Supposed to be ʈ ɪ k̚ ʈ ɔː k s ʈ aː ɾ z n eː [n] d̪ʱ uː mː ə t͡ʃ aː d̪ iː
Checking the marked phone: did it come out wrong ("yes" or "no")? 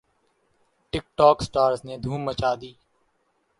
yes